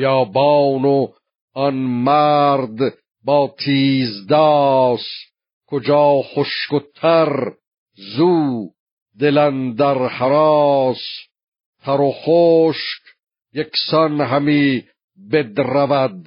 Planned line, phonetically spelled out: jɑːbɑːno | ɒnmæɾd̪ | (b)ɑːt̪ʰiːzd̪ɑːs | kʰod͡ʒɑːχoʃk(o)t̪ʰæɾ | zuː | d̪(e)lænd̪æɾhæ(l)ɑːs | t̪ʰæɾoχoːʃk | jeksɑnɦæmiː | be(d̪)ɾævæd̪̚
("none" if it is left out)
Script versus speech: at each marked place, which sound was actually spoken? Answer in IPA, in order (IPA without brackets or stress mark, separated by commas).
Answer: b, o, e, ɾ, d̪